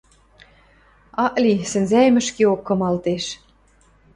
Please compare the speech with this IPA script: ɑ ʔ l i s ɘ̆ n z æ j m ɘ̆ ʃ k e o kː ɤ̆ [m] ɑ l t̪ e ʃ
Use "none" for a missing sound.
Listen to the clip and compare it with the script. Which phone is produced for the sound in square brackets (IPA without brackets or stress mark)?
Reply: m